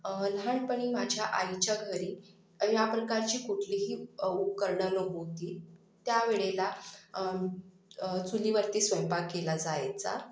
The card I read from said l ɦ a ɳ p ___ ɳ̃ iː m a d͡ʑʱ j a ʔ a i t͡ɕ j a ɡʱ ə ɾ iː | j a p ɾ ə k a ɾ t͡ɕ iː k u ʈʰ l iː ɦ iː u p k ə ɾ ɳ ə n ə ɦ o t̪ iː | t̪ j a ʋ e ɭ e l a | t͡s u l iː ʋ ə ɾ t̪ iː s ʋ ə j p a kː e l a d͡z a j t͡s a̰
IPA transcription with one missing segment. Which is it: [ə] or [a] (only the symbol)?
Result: ə